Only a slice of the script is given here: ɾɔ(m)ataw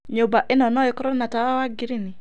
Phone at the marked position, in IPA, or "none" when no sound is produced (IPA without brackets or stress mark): n